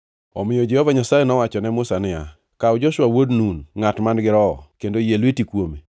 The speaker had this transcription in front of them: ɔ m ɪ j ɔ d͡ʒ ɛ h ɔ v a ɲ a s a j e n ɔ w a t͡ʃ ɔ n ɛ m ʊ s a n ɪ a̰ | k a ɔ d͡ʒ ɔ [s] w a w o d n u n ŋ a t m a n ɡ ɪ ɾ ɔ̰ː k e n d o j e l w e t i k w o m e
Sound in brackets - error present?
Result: yes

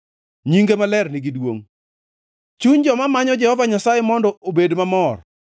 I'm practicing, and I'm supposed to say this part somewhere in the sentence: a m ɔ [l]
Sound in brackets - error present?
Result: yes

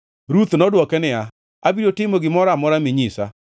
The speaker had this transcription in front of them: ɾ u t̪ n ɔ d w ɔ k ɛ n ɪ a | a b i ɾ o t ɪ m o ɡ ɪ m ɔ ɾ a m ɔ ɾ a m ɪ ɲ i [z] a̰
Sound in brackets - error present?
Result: yes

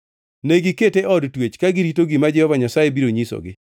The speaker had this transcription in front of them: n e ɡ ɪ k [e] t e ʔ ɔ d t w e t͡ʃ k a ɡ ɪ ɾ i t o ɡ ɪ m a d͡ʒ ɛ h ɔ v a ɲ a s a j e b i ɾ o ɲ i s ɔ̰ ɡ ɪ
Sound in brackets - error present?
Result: no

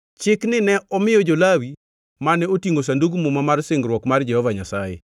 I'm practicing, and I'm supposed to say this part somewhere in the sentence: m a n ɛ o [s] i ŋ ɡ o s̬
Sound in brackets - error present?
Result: yes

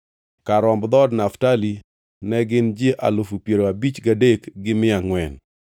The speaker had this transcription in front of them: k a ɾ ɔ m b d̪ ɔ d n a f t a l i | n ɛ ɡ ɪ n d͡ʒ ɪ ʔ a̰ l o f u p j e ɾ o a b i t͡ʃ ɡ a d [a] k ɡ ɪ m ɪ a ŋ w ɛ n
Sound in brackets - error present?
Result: yes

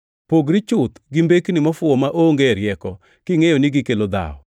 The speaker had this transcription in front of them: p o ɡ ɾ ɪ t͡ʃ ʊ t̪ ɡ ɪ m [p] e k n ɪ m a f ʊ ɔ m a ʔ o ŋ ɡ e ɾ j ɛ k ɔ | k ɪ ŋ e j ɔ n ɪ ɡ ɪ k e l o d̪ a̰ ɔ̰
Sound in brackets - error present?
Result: yes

